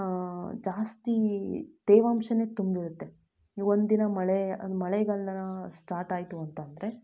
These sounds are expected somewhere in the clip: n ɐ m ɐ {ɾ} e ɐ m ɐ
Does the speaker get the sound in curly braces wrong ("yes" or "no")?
yes